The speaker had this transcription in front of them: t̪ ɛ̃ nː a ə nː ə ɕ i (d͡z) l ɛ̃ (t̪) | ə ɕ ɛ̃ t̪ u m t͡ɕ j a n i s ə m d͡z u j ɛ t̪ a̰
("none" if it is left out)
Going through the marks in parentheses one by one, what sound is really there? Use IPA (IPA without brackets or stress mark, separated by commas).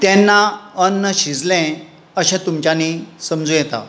d͡z, none